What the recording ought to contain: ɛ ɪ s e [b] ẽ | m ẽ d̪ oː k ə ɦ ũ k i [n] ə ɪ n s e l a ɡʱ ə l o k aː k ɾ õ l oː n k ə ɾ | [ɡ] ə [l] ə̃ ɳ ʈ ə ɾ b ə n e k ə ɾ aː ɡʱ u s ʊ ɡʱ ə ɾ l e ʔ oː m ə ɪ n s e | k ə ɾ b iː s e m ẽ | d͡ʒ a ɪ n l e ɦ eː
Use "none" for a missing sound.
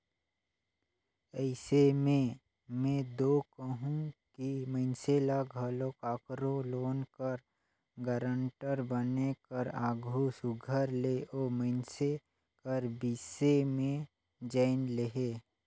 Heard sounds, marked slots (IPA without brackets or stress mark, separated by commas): m, m, ɡ, ɾ